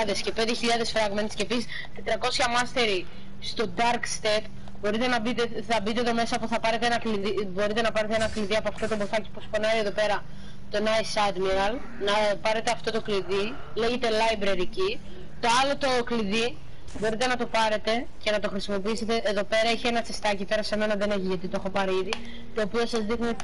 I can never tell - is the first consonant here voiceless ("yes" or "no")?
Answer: no